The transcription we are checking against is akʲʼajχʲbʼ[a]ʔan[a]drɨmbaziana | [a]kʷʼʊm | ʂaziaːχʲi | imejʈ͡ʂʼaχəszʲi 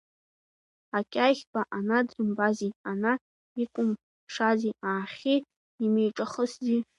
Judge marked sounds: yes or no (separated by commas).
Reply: yes, yes, no